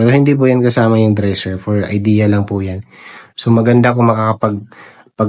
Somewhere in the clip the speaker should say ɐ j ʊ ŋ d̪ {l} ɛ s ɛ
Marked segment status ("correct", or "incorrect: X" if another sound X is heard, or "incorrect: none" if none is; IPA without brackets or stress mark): incorrect: ɾ